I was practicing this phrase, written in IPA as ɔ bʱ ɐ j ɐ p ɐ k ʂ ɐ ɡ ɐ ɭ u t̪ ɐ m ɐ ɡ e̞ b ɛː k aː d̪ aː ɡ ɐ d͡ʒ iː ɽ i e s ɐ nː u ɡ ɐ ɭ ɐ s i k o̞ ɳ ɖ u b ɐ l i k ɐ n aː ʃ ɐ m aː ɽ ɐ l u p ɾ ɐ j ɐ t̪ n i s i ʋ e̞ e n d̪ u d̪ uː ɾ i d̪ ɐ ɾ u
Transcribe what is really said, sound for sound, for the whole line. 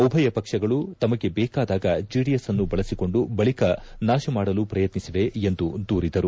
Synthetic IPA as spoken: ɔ bʱ ɐ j ɐ p ɐ k ʂ ɐ ɡ ɐ ɭ u t̪ ɐ m ɐ ɡ e̞ b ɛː k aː d̪ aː ɡ ɐ d͡ʒ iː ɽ i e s ɐ nː u b ɐ ɭ ɐ s i k o̞ ɳ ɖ u b ɐ ɭ i k ɐ n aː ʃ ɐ m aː ɽ ɐ l u p ɾ ɐ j ɐ t̪ n i s i ʋ e̞ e n d̪ u d̪ uː ɾ i d̪ ɐ ɾ u